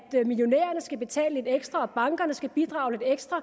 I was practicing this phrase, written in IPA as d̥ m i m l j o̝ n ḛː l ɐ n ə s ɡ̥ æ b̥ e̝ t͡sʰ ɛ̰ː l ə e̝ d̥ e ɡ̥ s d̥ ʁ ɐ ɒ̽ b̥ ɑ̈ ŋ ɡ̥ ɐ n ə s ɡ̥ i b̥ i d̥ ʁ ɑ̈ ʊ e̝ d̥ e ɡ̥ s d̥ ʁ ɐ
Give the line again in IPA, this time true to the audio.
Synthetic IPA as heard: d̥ m i l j o̝ n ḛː ɐ n ə s ɡ̥ æ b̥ e̝ t͡sʰ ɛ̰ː l ə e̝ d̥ e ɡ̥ s d̥ ʁ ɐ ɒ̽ b̥ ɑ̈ ŋ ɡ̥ ɐ n ə s ɡ̥ æ b̥ i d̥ ʁ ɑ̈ ʊ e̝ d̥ e ɡ̥ s d̥ ʁ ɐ